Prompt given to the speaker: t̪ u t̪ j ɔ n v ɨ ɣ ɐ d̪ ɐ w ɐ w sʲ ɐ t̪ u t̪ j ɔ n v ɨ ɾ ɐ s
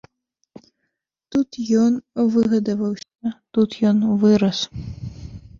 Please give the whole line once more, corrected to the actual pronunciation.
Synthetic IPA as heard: t̪ u t̪ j ɔ n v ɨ ɣ ɐ d̪ ɐ v ɐ w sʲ ɐ t̪ u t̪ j ɔ n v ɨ ɾ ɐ s